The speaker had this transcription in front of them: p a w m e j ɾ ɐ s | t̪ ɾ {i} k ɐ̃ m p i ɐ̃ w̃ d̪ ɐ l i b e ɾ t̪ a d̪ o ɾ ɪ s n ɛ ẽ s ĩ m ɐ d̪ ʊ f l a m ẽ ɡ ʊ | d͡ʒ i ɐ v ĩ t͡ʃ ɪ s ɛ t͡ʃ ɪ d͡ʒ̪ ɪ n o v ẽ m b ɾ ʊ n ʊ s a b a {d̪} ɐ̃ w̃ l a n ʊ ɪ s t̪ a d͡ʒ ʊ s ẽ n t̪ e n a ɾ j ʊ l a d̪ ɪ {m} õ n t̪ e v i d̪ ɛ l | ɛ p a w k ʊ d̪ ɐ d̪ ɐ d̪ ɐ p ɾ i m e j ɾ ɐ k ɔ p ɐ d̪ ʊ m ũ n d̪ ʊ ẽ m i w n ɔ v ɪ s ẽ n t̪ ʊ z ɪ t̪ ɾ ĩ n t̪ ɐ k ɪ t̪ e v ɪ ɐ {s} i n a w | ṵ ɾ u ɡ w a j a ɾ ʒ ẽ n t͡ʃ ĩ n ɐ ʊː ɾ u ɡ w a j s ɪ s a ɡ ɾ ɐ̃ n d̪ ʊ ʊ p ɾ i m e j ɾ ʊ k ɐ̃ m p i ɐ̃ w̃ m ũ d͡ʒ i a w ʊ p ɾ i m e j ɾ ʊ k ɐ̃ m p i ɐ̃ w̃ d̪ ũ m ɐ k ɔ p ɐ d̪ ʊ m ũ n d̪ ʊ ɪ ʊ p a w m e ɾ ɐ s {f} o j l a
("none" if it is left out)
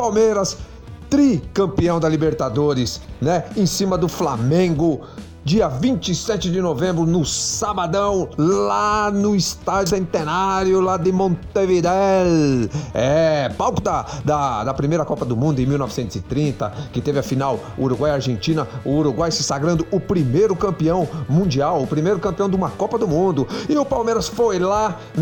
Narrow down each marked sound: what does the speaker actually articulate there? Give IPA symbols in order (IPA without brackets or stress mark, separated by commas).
i, d̪, m, f, f